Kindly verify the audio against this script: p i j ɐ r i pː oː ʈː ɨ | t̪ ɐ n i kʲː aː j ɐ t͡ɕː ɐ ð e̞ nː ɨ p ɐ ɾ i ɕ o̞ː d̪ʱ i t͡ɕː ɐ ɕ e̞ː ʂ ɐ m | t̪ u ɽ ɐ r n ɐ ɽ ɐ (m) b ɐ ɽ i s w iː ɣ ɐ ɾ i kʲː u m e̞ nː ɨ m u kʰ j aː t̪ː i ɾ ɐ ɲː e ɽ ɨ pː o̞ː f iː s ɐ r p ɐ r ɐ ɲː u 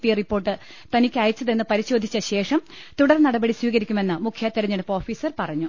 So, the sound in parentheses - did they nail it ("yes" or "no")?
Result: no